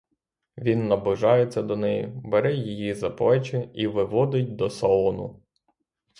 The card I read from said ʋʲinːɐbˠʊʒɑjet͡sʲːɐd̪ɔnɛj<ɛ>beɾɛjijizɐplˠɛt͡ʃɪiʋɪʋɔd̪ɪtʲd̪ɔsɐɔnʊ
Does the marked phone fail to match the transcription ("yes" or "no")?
yes